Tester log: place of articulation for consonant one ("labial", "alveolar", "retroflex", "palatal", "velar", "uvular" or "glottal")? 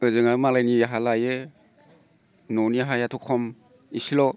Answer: alveolar